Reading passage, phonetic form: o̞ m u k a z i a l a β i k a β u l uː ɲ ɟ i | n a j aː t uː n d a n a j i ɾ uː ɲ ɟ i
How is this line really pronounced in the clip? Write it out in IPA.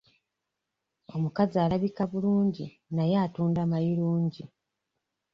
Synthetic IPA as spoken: o̞ m u k a z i a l a β i k a β u l uː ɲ ɟ i | n a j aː t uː n d a m a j i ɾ uː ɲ ɟ i